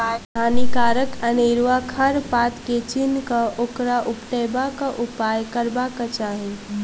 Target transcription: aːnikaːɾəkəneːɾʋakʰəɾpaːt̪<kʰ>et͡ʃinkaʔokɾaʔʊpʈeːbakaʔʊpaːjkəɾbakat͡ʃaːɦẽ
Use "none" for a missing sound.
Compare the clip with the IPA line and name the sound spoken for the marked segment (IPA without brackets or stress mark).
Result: k